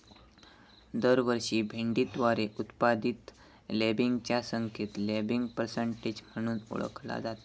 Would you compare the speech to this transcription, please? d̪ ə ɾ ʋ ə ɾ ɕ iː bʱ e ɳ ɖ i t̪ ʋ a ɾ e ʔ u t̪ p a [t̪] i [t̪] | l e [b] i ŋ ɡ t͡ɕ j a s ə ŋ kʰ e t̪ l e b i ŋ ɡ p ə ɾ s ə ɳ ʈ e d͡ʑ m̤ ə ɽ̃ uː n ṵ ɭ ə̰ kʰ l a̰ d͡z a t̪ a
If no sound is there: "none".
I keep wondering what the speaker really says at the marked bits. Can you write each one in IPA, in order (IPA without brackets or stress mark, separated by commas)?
d̪, t̪, b